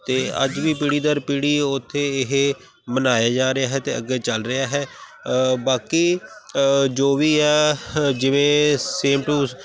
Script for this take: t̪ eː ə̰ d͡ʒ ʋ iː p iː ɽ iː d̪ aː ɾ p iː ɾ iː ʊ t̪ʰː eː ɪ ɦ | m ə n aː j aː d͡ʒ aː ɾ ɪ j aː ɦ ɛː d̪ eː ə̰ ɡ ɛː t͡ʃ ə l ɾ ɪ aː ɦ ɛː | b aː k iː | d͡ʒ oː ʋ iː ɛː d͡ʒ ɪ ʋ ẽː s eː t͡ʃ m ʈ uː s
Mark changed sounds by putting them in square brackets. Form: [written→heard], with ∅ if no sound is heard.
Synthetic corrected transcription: t̪ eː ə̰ d͡ʒ ʋ iː p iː ɽ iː d̪ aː ɾ p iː [ɾ→ɽ] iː ʊ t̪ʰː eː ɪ ɦ | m ə n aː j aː d͡ʒ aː ɾ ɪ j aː ɦ ɛː [d̪→t̪] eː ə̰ ɡ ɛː t͡ʃ ə l ɾ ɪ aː ɦ ɛː | b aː k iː | d͡ʒ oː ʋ iː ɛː d͡ʒ ɪ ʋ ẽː s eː [t͡ʃ→∅] m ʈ uː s